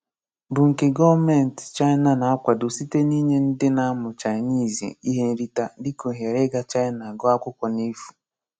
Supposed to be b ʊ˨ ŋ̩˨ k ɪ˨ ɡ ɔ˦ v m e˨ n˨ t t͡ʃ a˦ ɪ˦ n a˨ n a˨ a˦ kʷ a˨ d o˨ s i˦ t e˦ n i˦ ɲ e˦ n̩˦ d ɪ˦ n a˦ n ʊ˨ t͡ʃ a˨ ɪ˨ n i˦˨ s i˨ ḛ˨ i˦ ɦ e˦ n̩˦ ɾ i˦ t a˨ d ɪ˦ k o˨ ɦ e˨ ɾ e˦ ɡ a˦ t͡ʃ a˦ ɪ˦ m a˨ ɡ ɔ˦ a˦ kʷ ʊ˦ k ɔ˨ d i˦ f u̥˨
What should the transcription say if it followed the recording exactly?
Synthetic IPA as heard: b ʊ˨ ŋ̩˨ k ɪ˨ ɡ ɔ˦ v m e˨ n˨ t t͡ʃ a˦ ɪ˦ n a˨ n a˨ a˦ kʷ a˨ d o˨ s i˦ t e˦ n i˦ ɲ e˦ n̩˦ d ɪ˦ n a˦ m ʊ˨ t͡ʃ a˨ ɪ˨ n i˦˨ z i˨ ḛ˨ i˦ ɦ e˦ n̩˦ ɾ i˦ t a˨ d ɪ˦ k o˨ ɦ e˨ ɾ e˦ ɡ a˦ t͡ʃ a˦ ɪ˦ n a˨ ɡ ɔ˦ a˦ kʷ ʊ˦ k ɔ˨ n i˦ f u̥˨